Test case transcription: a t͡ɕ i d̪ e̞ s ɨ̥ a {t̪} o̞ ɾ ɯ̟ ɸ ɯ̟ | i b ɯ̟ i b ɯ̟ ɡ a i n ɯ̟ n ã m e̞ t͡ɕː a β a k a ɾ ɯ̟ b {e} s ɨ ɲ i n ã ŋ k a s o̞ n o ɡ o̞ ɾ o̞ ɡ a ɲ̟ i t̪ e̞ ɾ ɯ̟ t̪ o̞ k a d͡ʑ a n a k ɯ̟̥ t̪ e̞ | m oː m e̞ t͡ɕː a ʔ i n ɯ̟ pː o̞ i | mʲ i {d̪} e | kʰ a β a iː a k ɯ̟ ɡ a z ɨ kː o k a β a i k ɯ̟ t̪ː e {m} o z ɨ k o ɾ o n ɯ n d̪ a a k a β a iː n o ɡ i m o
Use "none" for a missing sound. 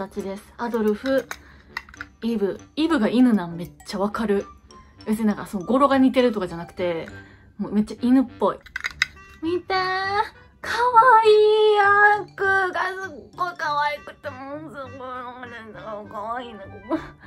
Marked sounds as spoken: d̪, e, t̪, m

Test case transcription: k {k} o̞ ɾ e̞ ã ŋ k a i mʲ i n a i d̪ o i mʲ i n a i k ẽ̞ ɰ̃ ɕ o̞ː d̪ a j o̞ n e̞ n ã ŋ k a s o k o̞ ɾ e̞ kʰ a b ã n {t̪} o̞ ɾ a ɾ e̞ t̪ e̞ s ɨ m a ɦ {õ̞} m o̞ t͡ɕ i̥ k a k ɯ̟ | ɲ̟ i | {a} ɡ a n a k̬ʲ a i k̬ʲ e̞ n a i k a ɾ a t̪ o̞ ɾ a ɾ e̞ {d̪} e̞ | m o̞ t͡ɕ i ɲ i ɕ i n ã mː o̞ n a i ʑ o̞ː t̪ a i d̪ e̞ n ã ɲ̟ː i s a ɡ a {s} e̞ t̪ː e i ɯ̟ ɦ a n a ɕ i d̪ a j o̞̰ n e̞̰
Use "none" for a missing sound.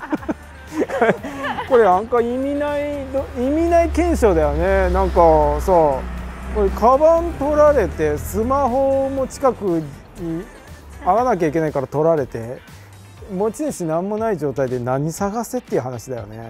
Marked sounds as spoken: k, t̪, o̞, a, t̪, s

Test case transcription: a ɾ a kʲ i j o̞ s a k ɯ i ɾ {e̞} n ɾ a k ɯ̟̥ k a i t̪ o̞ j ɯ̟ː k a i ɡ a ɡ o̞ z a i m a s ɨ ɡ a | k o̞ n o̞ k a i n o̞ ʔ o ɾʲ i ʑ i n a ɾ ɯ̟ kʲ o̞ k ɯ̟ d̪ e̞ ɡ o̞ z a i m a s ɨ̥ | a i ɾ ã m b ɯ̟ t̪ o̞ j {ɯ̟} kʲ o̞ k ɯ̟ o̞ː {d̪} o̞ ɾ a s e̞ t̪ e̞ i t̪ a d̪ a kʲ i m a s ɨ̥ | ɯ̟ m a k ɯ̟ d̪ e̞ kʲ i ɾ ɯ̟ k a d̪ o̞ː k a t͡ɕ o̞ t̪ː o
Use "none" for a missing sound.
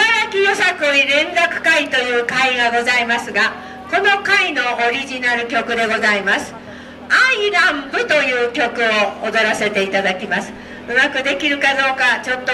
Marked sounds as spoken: ẽ̞, ɯ̟ː, d̪

